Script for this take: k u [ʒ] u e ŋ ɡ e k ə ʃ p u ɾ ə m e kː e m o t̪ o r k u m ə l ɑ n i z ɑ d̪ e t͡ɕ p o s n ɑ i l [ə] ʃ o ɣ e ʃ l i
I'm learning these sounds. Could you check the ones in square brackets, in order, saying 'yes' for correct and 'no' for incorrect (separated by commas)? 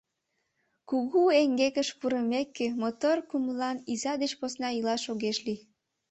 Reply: no, no